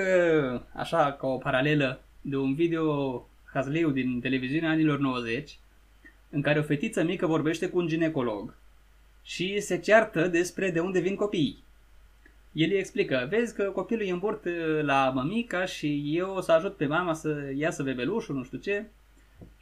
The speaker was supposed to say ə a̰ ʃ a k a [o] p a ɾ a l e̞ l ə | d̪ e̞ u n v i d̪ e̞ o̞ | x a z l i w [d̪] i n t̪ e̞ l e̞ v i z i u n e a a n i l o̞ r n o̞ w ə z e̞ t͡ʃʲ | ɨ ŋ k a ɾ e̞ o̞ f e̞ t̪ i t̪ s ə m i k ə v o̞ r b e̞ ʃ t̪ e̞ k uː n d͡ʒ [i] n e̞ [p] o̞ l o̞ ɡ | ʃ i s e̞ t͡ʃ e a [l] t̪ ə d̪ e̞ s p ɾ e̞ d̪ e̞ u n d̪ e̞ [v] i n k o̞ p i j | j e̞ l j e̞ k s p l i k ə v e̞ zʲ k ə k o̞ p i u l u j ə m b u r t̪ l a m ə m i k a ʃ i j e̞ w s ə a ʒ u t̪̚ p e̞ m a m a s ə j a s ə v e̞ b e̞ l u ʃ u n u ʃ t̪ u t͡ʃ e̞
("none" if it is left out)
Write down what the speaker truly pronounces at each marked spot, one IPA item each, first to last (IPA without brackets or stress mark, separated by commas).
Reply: o, d̪, i, k, r, v